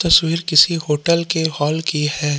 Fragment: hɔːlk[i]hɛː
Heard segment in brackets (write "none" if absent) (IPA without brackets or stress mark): i